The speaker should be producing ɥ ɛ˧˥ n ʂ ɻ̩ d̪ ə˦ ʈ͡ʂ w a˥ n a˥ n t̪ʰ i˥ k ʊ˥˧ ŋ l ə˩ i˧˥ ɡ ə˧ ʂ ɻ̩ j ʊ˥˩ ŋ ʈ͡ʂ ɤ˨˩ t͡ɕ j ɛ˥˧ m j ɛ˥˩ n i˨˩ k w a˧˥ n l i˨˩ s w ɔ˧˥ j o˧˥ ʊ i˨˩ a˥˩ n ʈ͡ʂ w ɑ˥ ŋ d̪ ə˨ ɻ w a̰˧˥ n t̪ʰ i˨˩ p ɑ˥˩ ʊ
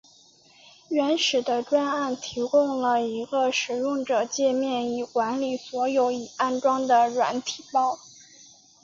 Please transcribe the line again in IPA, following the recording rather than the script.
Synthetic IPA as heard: ɥ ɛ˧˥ n ʂ ɻ̩ d̪ ə˦ ʈ͡ʂ w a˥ n a˥˩ n t̪ʰ i˧˥ k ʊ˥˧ ŋ l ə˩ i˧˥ ɡ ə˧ ʂ ɻ̩ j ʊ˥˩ ŋ ʈ͡ʂ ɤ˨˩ t͡ɕ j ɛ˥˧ m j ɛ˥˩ n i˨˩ k w a˧˥ n l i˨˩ s w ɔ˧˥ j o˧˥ ʊ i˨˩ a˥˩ n ʈ͡ʂ w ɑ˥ ŋ d̪ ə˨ ɻ w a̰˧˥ n t̪ʰ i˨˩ p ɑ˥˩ ʊ

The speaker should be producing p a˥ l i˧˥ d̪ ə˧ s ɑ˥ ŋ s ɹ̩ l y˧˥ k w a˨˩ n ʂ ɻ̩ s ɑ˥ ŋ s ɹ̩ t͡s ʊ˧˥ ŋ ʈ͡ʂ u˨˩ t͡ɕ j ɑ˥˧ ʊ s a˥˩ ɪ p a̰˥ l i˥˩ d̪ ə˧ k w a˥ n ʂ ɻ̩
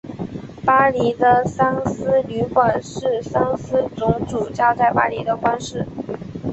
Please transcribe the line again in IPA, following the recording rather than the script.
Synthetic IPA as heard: p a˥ l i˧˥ d̪ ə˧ s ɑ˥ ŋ s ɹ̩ l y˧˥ k w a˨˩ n ʂ ɻ̩ s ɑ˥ ŋ s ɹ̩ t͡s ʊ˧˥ ŋ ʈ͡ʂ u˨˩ t͡ɕ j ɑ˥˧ ʊ t͡s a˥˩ ɪ p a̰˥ l i˧˥ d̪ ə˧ k w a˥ n ʂ ɻ̩

